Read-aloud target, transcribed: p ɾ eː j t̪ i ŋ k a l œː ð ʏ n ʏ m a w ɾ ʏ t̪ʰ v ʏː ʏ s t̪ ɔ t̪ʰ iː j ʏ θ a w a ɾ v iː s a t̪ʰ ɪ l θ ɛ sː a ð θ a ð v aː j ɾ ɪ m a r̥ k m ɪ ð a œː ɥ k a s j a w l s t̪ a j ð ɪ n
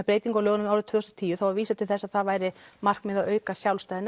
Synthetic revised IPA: p ɾ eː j t̪ i ŋ k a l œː ɣ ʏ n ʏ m a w ɾ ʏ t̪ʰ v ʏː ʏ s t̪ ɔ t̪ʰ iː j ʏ θ a w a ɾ v iː s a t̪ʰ ɪ l θ ɛ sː a ð θ a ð v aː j ɾ ɪ m a r̥ k m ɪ ð a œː ɥ k a s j a w l s t̪ a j ð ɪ n